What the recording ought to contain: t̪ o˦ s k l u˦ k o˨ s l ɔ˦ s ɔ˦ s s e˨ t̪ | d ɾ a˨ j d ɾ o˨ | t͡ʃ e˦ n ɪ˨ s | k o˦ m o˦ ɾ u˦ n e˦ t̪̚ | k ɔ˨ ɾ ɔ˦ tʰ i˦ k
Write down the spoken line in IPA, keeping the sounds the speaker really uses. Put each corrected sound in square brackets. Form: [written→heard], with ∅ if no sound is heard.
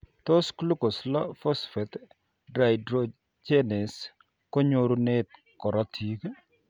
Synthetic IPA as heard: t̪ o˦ s k l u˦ k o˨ s l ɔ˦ [s→f] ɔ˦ s [s→f] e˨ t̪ | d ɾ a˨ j d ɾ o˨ | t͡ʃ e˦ n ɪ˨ s | k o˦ [m→ɲ] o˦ ɾ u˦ n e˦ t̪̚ | k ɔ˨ ɾ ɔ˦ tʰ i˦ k